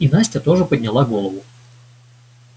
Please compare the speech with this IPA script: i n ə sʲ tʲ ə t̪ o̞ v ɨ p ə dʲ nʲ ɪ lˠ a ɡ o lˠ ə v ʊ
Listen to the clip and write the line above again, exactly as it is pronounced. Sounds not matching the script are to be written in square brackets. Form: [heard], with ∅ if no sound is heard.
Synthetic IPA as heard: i n [a] sʲ tʲ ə t̪ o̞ [ʐ] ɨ p ə dʲ nʲ ɪ lˠ a ɡ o lˠ ə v ʊ